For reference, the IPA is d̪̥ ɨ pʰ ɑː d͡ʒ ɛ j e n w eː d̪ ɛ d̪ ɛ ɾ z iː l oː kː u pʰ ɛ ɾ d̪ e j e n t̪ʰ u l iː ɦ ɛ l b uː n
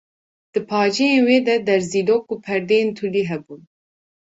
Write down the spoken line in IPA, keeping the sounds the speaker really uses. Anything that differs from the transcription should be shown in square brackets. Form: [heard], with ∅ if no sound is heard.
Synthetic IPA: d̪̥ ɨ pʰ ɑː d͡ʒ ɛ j e n w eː d̪ ɛ d̪ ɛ ɾ z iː l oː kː u pʰ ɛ ɾ d̪ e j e n t̪ʰ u l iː ɦ ɛ [∅] b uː n